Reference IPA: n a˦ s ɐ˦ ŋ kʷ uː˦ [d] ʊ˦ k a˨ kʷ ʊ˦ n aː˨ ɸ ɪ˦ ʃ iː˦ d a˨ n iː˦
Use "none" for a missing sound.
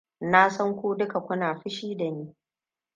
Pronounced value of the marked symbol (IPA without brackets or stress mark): d